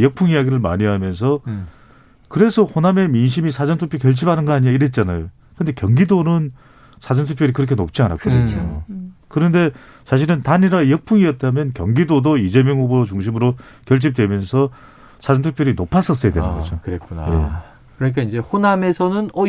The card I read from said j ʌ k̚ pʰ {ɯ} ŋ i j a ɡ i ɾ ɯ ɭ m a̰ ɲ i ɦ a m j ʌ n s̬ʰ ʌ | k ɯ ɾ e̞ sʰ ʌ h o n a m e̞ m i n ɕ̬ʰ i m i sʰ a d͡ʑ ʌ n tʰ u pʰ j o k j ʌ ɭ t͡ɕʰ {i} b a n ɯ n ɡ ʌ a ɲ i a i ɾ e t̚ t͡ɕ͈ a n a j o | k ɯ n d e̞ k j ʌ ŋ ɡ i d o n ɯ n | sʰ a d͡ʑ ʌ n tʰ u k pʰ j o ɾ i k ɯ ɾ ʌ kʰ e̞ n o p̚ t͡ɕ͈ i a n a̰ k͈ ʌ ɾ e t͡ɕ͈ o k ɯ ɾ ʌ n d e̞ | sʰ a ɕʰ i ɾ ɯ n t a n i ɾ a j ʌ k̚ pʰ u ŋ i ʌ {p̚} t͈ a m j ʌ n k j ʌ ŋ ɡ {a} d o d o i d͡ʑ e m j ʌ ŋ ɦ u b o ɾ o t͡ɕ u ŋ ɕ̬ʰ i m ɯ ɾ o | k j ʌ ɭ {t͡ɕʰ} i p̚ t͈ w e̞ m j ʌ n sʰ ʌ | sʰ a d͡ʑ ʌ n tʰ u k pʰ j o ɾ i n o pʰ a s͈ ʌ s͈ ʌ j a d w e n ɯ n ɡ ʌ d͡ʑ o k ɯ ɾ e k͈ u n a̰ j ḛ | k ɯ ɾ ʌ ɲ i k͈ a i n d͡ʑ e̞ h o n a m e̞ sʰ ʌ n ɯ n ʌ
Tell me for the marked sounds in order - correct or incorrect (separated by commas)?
incorrect, correct, incorrect, incorrect, correct